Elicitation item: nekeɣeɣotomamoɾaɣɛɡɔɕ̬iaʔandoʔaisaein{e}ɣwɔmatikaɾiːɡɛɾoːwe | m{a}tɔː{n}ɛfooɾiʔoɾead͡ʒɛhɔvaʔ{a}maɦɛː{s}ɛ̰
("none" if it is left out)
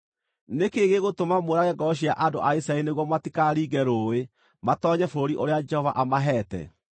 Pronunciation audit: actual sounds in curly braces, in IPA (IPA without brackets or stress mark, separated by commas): e, a, ɲ, a, t